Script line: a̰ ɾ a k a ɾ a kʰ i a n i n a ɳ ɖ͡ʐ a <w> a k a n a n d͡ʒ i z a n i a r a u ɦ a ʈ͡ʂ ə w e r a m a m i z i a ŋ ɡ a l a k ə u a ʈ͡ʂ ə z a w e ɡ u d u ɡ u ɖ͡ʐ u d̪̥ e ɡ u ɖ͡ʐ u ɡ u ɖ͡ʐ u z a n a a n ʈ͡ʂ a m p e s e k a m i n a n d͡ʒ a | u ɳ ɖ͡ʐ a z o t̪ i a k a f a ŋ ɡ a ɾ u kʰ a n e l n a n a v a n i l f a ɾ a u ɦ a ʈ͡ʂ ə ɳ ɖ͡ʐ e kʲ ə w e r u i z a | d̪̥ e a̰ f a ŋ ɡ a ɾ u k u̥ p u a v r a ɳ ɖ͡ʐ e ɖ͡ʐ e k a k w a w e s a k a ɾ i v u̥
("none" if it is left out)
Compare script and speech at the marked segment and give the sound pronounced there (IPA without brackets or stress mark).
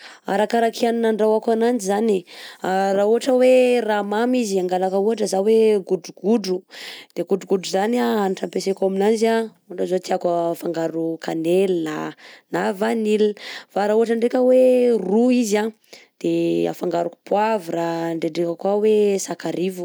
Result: w